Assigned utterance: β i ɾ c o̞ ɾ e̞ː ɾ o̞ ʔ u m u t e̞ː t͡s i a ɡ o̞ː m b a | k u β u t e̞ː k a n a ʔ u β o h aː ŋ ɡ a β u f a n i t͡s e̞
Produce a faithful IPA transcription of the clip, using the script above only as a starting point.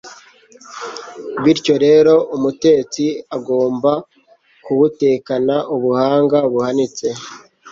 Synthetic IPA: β i ɾ c o̞ ɾ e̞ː ɾ o̞ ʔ u m u t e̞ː t͡s i a ɡ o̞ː m b a | k u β u t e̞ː k a n a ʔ u β u h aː ŋ ɡ a β u h a n i t͡s e̞